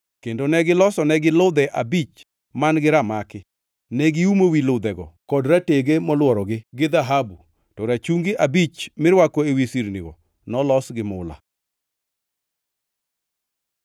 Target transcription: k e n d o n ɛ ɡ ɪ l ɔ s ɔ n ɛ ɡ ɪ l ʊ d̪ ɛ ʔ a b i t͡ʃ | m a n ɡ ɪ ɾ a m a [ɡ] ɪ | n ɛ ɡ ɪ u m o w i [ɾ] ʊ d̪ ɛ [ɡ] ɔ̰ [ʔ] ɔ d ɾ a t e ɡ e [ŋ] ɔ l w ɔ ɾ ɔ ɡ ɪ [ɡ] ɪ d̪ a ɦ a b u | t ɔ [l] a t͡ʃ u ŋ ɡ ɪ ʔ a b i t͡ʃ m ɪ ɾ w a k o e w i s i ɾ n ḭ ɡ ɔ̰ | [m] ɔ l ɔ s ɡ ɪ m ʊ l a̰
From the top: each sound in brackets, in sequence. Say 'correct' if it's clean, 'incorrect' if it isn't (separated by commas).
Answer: incorrect, incorrect, correct, incorrect, incorrect, correct, incorrect, incorrect